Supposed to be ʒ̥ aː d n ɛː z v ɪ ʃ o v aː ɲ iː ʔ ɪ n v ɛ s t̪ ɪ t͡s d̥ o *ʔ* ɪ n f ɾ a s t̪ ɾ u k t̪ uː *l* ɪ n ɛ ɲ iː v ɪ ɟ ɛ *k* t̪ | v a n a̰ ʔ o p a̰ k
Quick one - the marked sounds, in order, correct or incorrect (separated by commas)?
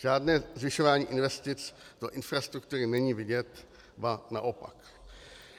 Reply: correct, incorrect, incorrect